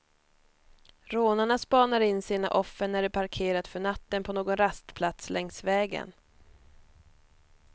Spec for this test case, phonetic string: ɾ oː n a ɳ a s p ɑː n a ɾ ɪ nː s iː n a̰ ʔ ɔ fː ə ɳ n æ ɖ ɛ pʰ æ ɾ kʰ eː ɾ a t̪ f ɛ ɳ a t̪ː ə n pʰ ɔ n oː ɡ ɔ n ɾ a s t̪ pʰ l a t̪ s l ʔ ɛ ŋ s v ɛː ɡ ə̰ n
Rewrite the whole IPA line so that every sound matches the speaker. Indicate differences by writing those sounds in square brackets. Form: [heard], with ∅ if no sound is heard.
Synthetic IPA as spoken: ɾ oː n a ɳ a s p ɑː n a ɾ ɪ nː s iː n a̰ ʔ ɔ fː ə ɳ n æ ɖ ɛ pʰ [a] ɾ kʰ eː ɾ a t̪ f [œ] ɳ a t̪ː ə n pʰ ɔ n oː ɡ ɔ n ɾ a s t̪ pʰ l a t̪ s l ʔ ɛ ŋ s v ɛː ɡ ə̰ n